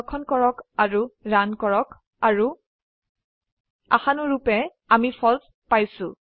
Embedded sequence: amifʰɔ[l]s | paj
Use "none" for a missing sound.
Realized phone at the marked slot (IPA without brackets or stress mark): l